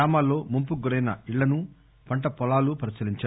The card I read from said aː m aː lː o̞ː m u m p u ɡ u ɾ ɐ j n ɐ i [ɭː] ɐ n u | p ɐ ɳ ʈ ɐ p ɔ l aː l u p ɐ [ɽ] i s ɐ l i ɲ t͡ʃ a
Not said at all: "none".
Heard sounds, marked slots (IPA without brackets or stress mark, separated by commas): ɭː, ɾ